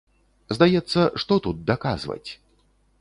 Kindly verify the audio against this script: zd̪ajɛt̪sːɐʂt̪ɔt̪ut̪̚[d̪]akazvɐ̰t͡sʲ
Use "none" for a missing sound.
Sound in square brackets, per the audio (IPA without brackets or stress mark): d̪